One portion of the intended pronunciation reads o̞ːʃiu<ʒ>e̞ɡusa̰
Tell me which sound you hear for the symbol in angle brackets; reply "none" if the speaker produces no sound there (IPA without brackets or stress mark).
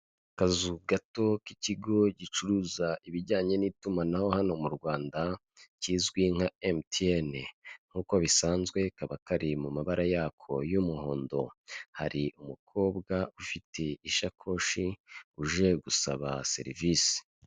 ʒ